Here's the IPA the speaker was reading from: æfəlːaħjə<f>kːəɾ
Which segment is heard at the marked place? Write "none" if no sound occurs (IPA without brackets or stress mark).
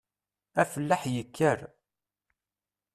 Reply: none